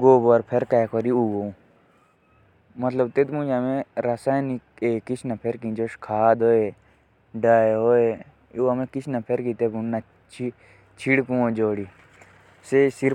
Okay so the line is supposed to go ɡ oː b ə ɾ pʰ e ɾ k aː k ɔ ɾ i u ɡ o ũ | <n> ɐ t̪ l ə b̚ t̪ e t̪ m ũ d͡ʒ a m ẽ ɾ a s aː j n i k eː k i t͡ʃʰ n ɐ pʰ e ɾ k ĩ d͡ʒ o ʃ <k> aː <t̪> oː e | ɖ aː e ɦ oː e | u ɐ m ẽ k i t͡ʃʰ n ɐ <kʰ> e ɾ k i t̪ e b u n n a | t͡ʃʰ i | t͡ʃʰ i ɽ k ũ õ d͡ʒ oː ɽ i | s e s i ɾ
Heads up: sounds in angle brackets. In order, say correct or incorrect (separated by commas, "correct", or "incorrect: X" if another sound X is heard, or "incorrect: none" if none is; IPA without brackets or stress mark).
incorrect: m, incorrect: kʰ, incorrect: d̪, incorrect: pʰ